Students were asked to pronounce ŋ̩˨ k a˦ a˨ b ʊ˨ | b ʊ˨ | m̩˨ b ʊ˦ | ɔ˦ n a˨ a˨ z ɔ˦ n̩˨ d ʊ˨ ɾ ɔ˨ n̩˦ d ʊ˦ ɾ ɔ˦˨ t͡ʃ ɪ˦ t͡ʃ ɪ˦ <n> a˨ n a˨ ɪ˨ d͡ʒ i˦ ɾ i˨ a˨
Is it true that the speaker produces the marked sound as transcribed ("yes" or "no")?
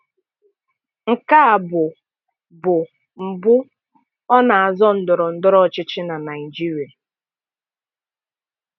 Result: yes